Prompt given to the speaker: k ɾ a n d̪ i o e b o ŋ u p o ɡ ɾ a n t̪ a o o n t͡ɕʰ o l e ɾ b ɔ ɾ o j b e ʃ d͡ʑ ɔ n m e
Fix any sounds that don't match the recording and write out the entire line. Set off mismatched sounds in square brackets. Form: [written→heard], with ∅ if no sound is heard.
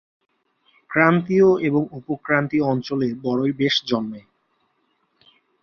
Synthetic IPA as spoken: k ɾ a n [d̪→t̪] i o e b o ŋ u p o [ɡ→k] ɾ a n t̪ [a→i] o [o→ɔ] n [t͡ɕʰ→t͡ɕ] o l e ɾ b ɔ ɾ o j b e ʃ d͡ʑ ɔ n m e